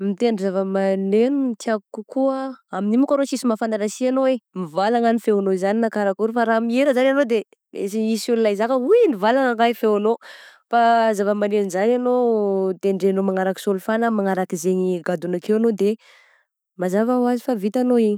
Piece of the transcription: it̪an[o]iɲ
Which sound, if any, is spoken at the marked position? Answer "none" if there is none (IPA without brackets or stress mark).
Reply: o